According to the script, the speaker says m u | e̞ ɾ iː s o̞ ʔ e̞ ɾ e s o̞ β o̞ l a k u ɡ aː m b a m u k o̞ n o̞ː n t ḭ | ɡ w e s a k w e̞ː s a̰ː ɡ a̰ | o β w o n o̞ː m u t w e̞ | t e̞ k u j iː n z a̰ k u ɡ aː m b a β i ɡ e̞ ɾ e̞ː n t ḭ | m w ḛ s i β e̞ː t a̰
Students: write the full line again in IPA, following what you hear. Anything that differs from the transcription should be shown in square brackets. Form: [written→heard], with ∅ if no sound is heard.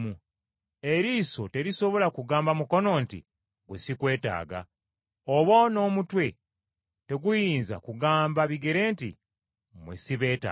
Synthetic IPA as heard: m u | e̞ ɾ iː s o̞ [ʔ→t] e̞ ɾ [e→i] s o̞ β o̞ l a k u ɡ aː m b a m u k o̞ n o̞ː n t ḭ | ɡ w e s [a→i] k w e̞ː [s→t] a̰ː ɡ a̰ | o β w o n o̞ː m u t w e̞ | t e̞ [k→ɡ] u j iː n z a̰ k u ɡ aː m b a β i ɡ e̞ ɾ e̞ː n t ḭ | m w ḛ s i β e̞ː t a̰